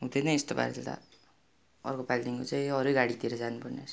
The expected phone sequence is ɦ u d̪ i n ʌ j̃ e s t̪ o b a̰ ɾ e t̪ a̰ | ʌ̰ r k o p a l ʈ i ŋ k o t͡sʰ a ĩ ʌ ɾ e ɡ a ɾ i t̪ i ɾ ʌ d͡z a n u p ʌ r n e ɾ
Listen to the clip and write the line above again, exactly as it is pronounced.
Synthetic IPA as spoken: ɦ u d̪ e n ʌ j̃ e s t̪ o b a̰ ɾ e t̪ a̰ | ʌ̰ r k o p a l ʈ i ŋ k o t͡s a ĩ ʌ ɾ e ɡ a ɽ i t̪ i ɾ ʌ d͡z a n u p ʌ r n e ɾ